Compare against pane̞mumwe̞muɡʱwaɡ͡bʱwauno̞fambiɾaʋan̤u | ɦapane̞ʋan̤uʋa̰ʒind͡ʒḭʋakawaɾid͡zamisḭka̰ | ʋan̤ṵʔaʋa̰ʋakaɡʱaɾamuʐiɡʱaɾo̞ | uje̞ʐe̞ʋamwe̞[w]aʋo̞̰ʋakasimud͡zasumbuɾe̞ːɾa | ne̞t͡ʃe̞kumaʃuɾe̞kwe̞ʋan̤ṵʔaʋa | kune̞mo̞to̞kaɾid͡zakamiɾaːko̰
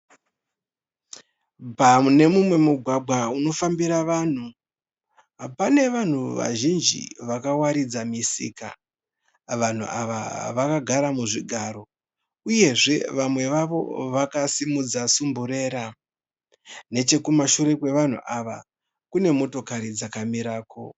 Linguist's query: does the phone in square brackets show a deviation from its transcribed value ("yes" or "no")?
yes